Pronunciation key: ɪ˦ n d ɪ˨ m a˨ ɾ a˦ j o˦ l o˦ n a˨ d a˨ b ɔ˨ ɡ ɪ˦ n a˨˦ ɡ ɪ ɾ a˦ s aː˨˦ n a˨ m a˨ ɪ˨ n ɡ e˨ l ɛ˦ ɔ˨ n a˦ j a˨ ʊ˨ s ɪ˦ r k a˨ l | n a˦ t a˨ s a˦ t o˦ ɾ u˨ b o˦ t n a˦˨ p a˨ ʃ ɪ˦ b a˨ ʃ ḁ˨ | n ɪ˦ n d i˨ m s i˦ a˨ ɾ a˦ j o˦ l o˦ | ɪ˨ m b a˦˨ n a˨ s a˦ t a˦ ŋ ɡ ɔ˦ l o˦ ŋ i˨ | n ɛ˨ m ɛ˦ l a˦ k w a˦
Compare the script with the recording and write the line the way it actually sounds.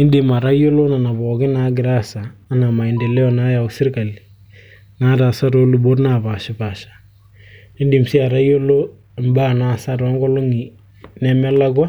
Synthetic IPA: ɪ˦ n d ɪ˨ m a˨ ɾ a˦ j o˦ l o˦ n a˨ n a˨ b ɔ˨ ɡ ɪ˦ n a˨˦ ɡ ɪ ɾ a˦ s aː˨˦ n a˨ m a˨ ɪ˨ n d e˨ l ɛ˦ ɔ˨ n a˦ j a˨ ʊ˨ s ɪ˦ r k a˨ l | n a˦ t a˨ s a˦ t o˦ l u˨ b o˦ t n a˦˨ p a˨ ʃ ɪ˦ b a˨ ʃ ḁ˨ | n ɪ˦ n d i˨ m s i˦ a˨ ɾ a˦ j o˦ l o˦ | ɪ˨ m b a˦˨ n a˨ s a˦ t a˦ ŋ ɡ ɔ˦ l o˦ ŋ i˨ | n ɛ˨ m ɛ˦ l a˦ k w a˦